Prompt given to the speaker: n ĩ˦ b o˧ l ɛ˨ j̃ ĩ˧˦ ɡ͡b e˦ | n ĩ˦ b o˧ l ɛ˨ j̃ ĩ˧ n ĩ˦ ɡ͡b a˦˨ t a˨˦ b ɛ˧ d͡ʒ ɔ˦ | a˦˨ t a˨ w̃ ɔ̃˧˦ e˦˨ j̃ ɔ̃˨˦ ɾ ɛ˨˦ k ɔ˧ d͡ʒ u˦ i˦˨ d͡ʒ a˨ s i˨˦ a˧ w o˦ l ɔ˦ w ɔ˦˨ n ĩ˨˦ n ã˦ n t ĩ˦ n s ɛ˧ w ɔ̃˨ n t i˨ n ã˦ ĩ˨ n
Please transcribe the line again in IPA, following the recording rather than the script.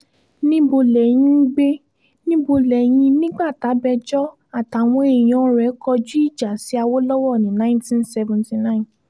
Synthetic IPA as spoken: n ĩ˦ b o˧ l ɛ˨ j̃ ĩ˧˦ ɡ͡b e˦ | n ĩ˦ b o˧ l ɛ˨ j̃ ĩ˧ n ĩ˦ ɡ͡b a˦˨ t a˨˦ b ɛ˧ d͡ʒ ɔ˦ | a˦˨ t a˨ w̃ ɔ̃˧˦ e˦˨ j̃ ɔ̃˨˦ ɾ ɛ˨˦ k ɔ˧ d͡ʒ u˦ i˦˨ d͡ʒ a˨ s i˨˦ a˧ w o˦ l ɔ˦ w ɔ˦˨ n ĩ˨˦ n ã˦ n t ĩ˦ n s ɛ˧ v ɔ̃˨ n t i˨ n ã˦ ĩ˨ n

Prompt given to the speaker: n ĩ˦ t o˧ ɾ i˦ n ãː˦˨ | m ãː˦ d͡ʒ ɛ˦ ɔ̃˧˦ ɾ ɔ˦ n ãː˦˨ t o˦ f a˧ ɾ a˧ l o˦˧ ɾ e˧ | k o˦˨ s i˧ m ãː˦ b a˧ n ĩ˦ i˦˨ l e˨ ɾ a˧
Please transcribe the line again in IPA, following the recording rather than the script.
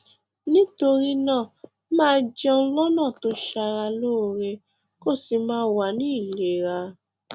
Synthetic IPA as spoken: n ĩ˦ t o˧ ɾ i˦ n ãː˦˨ | m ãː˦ d͡ʒ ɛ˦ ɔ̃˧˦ l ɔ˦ n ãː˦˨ t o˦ ʃ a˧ ɾ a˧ l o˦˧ ɾ e˧ | k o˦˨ s i˧ m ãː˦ w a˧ n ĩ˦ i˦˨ l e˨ ɾ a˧

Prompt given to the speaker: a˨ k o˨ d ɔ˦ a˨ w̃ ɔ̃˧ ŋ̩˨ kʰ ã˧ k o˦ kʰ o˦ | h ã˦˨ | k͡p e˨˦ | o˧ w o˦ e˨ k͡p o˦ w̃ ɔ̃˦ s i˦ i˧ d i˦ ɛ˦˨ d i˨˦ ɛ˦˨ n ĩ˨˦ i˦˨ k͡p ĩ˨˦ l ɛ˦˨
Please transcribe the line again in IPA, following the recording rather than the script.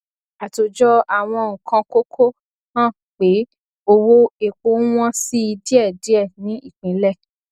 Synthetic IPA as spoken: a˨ t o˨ d͡ʒ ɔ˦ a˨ w̃ ɔ̃˧ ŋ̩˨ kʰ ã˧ k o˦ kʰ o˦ | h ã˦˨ | k͡p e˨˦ | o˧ w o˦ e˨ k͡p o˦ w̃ ɔ̃˦ s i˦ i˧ d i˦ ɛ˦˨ d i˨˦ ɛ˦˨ n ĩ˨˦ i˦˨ k͡p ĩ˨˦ l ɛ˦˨

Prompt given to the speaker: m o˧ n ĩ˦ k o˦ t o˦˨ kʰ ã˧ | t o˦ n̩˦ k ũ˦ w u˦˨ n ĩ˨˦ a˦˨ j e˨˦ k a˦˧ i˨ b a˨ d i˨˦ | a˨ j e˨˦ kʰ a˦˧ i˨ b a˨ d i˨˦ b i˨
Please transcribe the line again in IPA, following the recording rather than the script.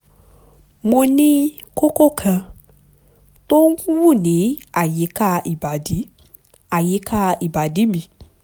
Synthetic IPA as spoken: m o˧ n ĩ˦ k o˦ k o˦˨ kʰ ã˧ | t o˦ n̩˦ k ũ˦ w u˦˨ n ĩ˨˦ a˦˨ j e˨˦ k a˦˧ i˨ b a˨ d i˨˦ | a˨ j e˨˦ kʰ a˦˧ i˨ b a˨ d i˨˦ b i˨

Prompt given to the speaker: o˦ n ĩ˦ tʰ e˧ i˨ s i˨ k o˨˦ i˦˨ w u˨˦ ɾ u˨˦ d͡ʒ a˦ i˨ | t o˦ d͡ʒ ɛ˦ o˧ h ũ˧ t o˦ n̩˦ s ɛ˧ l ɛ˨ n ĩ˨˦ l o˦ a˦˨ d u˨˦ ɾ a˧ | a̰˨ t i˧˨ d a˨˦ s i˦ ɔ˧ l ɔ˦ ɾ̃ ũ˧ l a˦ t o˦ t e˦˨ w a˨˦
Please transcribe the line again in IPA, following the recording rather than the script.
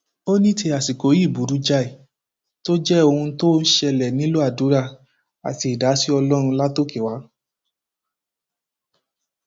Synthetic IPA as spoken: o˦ n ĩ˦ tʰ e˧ a˨ s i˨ k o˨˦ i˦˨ b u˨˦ ɾ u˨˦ d͡ʒ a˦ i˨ | t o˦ d͡ʒ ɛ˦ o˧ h ũ˧ t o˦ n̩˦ ʃ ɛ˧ l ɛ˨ n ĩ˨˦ l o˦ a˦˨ d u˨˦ ɾ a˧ | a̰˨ t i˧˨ d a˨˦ s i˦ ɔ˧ l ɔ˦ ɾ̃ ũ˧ l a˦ t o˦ k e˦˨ w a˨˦

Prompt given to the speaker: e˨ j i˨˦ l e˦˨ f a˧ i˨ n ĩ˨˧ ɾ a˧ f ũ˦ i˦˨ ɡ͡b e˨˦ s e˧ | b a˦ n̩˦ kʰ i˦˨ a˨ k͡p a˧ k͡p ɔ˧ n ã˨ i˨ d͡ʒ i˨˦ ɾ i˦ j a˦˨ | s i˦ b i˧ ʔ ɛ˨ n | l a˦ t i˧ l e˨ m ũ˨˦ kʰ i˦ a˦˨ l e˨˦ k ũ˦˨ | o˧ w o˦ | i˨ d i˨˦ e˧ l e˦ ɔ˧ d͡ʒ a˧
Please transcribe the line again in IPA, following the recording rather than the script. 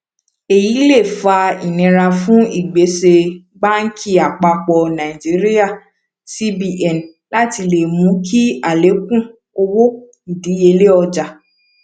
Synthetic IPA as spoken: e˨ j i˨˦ l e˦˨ f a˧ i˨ n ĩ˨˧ ɾ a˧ f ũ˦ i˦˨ ɡ͡b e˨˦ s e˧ | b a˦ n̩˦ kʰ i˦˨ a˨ k͡p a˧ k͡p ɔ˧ n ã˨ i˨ d͡ʒ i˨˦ ɾ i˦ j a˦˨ | s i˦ b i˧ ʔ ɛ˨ n | l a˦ t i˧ l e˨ m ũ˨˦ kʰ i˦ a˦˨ l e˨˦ k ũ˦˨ | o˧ w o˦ | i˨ d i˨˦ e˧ l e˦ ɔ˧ d͡ʒ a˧

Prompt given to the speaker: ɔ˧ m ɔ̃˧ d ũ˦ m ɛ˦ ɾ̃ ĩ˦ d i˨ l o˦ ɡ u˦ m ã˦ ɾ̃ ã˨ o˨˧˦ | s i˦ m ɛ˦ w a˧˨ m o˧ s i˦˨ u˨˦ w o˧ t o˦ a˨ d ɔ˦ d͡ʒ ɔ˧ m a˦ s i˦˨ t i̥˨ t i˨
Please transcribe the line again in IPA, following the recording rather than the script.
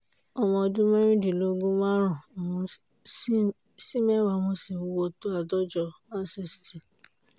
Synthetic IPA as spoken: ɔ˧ m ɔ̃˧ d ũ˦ m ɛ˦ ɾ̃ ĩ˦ d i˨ l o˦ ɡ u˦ m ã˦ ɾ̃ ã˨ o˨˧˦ | s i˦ m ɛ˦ w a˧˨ m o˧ s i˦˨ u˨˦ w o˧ t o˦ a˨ d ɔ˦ d͡ʒ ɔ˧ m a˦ s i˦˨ s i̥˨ t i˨

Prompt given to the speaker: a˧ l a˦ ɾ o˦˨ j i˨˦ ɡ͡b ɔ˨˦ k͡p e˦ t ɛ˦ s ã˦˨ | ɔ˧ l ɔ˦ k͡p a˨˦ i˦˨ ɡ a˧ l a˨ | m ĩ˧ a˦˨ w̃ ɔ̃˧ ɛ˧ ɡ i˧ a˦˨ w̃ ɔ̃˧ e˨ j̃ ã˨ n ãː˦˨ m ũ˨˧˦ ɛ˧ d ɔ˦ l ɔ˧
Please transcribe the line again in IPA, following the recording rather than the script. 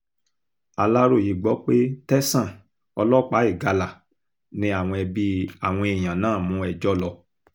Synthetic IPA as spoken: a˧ l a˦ ɾ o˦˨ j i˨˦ ɡ͡b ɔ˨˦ k͡p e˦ t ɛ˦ s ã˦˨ | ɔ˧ l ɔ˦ k͡p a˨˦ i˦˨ ɡ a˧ l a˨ | n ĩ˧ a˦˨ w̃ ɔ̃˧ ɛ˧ b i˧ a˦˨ w̃ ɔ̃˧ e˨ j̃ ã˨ n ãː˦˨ m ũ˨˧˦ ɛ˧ d͡ʒ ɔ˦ l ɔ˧

